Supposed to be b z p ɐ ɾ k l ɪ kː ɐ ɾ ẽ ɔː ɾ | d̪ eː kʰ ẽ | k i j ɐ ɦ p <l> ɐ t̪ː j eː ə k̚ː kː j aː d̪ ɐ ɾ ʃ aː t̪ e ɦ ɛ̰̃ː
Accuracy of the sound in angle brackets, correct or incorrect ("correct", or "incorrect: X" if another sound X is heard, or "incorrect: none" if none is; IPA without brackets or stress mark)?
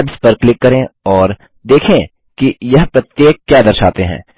incorrect: ɾ